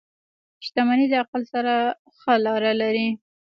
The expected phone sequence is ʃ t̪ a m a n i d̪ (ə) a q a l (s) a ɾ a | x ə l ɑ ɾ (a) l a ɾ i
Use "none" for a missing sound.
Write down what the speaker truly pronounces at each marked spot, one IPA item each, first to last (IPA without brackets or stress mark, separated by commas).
ə, s, a